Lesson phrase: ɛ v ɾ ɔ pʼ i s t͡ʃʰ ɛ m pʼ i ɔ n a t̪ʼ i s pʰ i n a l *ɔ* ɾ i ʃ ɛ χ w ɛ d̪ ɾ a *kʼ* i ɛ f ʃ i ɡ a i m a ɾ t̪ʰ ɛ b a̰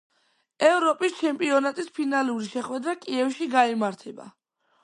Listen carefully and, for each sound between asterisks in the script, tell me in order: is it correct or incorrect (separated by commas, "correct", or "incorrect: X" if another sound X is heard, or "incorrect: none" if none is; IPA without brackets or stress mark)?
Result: incorrect: u, correct